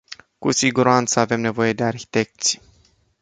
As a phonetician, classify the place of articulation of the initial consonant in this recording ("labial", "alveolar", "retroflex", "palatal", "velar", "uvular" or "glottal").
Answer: velar